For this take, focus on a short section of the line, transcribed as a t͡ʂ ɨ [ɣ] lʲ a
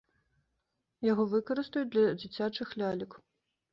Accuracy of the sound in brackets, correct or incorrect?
incorrect: x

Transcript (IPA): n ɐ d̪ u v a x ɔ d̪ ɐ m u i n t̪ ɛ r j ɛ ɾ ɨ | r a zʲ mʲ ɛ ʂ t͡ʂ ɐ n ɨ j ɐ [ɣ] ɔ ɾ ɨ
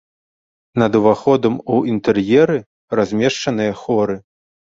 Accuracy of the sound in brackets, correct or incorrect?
incorrect: x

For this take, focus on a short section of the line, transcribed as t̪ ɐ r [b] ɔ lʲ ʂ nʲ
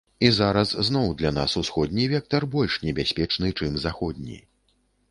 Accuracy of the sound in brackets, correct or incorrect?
correct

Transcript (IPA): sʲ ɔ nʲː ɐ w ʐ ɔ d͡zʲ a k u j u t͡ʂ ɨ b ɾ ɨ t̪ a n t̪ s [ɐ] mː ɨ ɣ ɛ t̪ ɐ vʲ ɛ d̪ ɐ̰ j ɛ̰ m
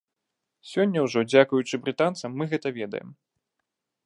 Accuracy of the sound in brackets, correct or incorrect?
correct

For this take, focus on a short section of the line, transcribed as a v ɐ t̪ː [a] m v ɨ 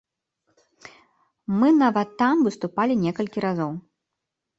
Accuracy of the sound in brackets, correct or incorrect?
correct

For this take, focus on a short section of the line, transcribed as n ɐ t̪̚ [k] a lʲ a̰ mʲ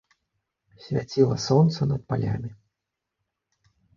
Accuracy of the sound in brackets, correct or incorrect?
incorrect: p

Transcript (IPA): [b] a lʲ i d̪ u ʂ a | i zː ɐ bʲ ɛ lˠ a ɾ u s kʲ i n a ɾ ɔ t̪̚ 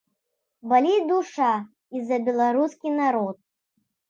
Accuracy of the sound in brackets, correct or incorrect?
correct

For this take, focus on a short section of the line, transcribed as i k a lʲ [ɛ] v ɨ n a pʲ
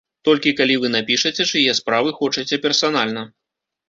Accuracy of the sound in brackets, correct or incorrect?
incorrect: i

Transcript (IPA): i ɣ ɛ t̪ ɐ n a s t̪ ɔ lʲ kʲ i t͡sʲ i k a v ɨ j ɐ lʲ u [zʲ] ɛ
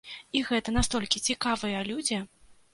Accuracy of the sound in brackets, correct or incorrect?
incorrect: d͡zʲ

